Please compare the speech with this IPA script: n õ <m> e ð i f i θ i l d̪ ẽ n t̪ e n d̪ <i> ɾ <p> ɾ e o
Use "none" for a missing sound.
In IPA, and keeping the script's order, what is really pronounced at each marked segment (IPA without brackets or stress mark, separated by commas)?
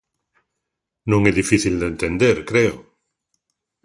ŋ, e, k